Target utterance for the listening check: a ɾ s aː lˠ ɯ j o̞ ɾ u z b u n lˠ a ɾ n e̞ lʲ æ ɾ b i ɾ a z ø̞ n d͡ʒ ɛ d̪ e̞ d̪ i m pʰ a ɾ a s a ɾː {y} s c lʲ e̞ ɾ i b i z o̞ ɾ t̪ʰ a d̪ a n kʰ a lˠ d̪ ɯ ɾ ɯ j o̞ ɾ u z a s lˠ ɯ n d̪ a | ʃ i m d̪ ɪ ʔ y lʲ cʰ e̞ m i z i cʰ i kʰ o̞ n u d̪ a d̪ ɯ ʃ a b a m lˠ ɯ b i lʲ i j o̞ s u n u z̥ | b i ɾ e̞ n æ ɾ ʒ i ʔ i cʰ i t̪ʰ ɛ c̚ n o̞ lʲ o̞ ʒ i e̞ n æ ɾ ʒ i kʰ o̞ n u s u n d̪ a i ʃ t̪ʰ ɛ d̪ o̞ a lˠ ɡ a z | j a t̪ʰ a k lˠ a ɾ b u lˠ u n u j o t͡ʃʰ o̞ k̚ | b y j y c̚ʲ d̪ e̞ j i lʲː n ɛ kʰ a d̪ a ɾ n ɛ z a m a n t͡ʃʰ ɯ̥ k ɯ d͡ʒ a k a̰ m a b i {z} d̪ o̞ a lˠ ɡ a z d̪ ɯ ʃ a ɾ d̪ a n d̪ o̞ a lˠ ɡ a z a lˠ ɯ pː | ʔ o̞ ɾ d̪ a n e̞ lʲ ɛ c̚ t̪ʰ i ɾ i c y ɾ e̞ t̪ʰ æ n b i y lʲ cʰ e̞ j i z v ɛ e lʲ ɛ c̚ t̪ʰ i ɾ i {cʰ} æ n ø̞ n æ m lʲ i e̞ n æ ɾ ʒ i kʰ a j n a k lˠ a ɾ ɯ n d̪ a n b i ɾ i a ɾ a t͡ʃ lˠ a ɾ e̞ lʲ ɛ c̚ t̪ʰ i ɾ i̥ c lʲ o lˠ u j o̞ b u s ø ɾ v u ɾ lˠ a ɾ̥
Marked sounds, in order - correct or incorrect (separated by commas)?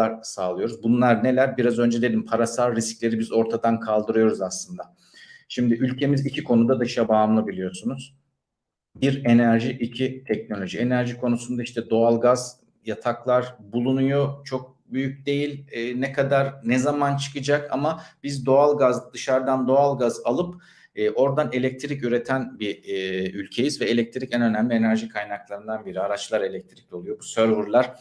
incorrect, correct, incorrect